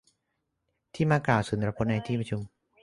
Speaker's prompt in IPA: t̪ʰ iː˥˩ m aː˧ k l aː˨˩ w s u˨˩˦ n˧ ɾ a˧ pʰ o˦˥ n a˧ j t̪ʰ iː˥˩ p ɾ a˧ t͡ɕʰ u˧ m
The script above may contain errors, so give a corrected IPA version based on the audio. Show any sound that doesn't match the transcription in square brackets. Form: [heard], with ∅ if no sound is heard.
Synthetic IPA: t̪ʰ iː˥˩ m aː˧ k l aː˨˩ w s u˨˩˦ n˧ ɾ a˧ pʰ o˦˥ n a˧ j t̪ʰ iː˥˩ p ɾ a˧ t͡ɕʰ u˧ m